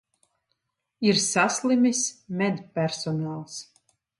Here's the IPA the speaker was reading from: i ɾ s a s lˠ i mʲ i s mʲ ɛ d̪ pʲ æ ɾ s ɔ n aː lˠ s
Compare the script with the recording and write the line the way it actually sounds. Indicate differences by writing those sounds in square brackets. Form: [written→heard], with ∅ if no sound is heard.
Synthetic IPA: i ɾ s a s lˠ i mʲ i s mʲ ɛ d̪ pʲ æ ɾ s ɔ n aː lˠ s